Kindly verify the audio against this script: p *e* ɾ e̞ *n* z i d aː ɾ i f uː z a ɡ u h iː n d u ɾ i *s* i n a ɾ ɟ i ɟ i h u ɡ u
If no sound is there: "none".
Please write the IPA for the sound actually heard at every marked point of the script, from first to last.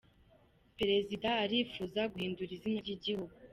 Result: e, none, z

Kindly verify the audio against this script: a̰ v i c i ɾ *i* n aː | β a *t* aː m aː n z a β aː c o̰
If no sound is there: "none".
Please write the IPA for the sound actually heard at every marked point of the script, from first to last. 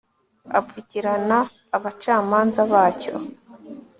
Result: a, t͡ʃ

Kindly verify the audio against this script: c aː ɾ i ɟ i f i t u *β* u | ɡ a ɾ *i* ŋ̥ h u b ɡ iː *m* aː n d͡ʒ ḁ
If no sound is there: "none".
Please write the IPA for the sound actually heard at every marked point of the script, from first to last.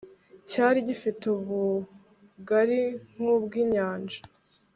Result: β, i, ɲ

